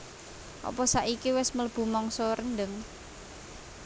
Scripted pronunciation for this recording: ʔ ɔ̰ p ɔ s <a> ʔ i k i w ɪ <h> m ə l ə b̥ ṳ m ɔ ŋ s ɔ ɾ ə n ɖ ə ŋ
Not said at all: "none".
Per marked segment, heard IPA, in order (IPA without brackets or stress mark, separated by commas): a, s